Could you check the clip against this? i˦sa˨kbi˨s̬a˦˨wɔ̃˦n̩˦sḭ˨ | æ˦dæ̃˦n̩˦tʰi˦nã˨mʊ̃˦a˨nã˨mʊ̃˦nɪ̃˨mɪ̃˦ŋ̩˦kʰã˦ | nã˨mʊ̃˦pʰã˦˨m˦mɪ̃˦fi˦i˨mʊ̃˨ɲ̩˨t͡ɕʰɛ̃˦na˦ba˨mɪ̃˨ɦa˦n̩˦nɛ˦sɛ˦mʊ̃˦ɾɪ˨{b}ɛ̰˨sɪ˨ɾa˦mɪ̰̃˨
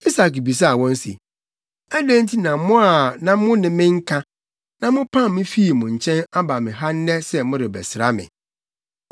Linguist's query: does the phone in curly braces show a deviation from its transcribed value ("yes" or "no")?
no